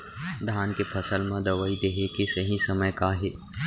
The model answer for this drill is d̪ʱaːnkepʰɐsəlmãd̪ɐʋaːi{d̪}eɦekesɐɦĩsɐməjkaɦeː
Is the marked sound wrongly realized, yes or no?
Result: no